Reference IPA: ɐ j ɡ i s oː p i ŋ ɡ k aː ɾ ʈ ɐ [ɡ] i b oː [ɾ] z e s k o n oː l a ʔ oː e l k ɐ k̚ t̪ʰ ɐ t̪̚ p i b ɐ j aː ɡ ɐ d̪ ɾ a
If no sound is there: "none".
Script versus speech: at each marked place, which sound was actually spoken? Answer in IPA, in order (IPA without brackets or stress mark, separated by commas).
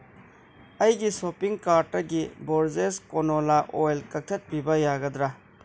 ɡ, ɾ